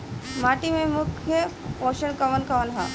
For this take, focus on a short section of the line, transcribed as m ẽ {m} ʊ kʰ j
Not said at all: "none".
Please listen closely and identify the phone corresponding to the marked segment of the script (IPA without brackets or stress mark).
m